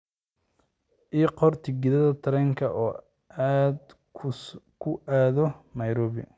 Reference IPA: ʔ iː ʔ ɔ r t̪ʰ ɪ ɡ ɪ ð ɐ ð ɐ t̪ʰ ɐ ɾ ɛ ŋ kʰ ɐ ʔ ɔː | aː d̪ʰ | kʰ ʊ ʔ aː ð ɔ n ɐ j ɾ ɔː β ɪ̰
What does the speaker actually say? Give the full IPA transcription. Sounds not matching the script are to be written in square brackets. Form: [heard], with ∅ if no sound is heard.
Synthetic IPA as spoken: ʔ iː [q] ɔ r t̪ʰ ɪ ɡ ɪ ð ɐ ð ɐ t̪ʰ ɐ ɾ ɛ ŋ kʰ ɐ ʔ ɔː | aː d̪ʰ | kʰ ʊ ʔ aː ð ɔ n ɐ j ɾ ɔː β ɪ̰